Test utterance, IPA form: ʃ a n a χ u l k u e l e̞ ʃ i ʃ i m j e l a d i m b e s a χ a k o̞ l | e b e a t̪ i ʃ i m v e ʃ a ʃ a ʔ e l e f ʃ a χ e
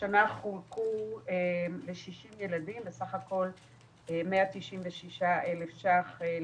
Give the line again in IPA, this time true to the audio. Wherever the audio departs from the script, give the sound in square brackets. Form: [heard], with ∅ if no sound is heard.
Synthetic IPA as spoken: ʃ a n a χ u l k u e l e̞ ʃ i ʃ i m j e l a d i m b e s a χ a k o̞ l | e [m] e a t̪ i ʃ i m v e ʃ [i] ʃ a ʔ e l e f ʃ a χ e